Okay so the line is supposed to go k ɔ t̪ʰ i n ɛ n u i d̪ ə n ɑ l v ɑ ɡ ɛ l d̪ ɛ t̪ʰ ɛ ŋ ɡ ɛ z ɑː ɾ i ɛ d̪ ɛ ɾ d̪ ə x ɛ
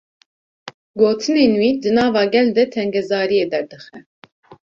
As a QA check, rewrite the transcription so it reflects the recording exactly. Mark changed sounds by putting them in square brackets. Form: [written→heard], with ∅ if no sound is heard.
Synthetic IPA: [k→ɡ] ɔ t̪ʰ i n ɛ n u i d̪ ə n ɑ [l→∅] v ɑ ɡ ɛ l d̪ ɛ t̪ʰ ɛ ŋ ɡ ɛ z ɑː ɾ i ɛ d̪ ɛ ɾ d̪ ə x ɛ